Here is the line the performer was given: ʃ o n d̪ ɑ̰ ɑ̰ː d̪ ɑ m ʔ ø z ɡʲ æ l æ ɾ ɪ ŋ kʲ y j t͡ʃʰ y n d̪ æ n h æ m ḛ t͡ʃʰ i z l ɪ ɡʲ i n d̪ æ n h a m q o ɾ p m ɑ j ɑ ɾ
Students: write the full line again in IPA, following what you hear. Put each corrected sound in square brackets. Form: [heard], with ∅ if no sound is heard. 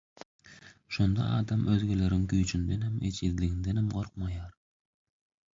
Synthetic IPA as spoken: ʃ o n d̪ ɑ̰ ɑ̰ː d̪ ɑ m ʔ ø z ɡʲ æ l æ ɾ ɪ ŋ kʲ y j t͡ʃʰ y n d̪ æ n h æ m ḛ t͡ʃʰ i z l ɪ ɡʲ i n d̪ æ n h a m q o ɾ [q] m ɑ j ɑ ɾ